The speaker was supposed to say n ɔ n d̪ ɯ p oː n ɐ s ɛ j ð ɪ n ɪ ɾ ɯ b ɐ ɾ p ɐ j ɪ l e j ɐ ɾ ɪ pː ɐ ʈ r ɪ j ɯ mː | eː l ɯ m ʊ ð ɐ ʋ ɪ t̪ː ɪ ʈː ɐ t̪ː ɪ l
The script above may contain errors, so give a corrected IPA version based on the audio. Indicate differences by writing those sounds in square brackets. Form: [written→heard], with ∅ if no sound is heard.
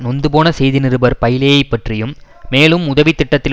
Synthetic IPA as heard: n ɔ n d̪ ɯ p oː n ɐ s ɛ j ð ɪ n ɪ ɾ ɯ b ɐ ɾ p ɐ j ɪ l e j ɐ [ɾ→∅] ɪ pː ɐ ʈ r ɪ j ɯ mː | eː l ɯ m ʊ ð ɐ ʋ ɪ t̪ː ɪ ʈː ɐ t̪ː ɪ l